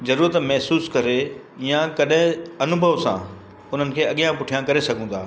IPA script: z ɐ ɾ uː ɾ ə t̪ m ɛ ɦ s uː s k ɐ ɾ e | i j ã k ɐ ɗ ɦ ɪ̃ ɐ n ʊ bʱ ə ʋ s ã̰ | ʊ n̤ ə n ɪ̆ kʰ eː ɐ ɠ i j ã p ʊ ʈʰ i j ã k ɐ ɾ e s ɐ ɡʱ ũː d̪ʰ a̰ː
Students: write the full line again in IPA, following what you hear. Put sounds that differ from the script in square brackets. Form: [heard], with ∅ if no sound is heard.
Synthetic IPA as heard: z ɐ ɾ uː ɾ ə t̪ m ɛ ɦ s uː s k ɐ ɾ e | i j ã k ɐ ɗ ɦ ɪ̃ ɐ n ʊ bʱ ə ʋ s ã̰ | ʊ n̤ ə n ɪ̆ kʰ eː ɐ ɠ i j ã p ʊ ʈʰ i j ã k ɐ ɾ e s ɐ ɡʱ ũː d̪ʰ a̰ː